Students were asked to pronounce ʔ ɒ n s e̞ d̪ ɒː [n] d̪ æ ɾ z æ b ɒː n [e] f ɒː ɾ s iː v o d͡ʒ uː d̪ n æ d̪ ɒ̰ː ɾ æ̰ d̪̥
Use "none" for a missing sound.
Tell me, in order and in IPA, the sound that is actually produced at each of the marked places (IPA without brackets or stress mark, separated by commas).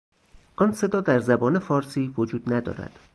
none, e